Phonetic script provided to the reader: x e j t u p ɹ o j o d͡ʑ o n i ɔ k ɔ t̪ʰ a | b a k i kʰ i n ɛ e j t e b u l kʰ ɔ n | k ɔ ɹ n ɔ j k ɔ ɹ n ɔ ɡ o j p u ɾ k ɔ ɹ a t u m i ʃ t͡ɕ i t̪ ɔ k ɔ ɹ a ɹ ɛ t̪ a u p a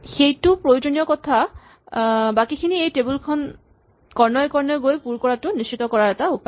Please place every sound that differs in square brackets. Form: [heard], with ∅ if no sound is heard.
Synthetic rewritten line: x e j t u p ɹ o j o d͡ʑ o n i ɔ k ɔ t̪ʰ a | b a k i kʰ i n [i] e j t e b u l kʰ ɔ n | k ɔ ɹ n ɔ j k ɔ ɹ n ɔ ɡ o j p u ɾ k ɔ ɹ a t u [n] i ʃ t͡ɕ i t̪ ɔ k ɔ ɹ a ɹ ɛ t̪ a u p a